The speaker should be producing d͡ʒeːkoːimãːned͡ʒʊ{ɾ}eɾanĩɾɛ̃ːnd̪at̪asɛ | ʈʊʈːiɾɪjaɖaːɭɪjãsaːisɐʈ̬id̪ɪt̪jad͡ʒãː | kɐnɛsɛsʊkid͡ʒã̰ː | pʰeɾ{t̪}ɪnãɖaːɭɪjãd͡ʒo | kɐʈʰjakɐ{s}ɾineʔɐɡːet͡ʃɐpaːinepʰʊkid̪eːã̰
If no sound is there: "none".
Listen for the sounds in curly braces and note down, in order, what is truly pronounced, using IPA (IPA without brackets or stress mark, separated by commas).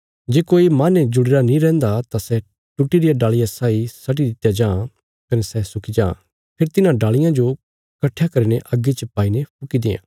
ɽ, t̪, none